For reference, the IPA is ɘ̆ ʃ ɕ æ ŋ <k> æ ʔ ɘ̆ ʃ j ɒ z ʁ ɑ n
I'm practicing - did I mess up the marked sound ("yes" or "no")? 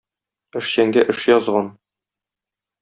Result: yes